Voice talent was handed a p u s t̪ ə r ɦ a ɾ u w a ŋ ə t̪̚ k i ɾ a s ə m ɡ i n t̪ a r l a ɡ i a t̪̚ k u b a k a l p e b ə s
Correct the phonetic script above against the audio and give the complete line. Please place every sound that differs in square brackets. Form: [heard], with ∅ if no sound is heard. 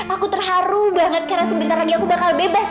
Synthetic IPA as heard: a [k] u [∅] t̪ ə r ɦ a ɾ u [b] a ŋ ə t̪̚ k [a] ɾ a s ə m [b] i n t̪ a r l a ɡ i a [∅] k u b a k a l [b] e b [a] s